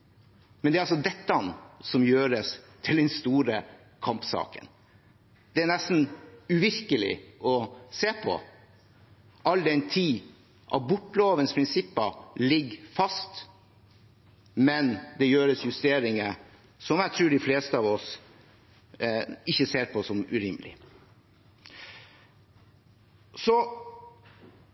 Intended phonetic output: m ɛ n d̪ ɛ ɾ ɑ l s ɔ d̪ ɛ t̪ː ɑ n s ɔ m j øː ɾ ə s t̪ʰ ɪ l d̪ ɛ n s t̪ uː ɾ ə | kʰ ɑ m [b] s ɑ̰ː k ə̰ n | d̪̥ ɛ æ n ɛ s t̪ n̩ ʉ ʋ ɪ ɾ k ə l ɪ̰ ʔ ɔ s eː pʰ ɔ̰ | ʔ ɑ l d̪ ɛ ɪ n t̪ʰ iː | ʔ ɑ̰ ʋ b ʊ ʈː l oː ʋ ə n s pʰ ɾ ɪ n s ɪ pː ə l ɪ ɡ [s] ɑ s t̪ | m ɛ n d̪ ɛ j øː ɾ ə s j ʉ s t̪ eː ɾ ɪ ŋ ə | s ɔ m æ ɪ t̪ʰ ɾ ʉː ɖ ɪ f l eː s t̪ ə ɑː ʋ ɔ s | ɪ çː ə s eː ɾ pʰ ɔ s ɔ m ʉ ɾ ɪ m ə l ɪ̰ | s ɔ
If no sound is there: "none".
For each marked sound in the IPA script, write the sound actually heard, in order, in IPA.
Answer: p, f

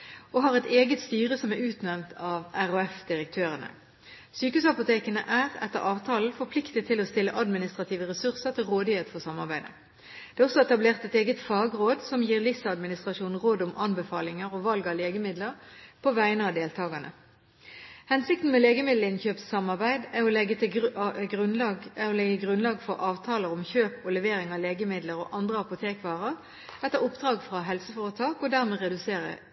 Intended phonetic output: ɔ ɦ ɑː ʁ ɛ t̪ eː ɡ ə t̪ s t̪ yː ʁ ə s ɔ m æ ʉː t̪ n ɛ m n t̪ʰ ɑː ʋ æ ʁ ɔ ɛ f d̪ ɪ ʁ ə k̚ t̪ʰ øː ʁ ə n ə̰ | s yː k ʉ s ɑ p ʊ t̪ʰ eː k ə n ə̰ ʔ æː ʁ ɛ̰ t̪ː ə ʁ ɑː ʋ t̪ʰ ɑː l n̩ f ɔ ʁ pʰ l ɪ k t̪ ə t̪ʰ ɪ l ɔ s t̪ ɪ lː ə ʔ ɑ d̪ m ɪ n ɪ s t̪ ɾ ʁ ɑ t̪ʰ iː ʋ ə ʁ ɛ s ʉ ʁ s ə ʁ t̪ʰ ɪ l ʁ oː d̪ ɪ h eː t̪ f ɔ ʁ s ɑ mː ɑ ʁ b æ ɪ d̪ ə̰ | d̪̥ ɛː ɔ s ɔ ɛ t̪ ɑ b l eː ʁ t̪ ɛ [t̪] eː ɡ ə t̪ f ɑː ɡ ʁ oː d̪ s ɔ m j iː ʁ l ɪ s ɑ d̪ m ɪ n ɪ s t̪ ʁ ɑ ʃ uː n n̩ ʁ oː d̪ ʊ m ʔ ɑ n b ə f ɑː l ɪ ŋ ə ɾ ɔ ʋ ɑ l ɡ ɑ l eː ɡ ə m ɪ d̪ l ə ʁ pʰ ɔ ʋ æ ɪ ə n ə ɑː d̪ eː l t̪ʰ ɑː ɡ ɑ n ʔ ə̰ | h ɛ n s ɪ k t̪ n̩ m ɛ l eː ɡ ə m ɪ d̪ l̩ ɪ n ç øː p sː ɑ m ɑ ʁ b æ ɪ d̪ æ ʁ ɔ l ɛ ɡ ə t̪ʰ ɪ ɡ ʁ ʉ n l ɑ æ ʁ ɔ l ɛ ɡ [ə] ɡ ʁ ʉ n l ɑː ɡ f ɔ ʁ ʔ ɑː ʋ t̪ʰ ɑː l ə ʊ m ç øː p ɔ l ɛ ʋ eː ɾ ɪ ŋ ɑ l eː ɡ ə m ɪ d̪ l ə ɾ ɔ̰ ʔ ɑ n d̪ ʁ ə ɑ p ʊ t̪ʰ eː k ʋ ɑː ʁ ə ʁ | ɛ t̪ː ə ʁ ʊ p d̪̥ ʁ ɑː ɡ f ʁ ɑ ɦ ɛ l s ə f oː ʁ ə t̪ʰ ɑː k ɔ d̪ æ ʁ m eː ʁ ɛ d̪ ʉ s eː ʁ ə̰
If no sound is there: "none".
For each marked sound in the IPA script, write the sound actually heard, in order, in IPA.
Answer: t̪, ə

